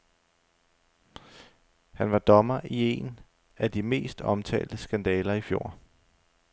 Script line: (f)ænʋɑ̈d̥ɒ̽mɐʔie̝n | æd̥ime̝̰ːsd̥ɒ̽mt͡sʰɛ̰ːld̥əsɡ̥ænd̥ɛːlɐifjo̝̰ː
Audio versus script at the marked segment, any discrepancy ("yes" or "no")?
yes